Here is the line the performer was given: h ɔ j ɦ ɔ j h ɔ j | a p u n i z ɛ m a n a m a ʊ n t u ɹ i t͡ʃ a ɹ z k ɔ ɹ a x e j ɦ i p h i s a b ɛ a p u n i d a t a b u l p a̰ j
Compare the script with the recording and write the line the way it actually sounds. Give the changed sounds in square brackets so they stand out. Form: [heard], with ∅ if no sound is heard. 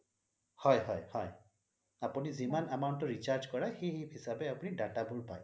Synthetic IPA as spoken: h ɔ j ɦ ɔ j h ɔ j | a p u n i z [i] m a n a m a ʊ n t [ɔ] ɹ i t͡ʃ a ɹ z k ɔ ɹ a x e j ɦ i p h i s a b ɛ a p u n i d a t a b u l p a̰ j